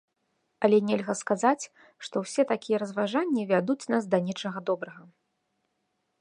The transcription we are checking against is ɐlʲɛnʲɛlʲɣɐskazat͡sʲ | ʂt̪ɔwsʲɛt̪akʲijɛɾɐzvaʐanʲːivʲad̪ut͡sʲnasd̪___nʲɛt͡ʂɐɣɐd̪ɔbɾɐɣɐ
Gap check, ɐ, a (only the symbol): ɐ